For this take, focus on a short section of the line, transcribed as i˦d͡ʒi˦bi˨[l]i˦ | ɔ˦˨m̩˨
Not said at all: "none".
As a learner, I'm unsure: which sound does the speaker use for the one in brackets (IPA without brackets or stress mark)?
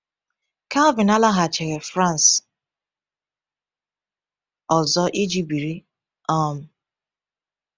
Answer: ɾ